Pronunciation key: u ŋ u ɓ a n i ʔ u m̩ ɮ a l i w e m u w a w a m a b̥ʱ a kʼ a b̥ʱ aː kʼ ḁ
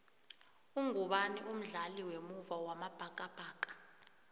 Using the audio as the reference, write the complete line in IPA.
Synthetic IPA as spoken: u ŋ u ɓ a n i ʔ u m̩ ɮ a l i w e m u v a w a m a b̥ʱ a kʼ a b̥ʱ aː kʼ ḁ